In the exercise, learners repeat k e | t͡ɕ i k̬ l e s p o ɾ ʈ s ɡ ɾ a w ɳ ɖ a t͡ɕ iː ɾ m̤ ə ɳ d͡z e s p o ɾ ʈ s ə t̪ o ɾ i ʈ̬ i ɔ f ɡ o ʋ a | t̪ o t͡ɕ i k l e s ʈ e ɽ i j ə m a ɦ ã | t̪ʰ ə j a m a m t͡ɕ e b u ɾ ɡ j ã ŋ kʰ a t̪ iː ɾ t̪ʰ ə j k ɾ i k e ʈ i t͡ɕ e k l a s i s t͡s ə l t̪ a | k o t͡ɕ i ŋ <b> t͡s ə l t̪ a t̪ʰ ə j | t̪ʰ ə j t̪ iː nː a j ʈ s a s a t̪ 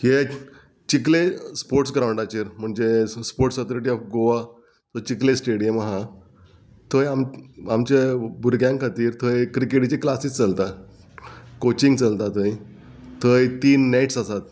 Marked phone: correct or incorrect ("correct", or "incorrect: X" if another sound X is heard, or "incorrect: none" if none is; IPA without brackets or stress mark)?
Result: incorrect: ɡ